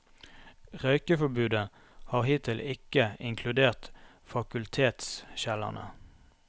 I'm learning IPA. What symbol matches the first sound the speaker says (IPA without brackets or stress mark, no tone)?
ʁ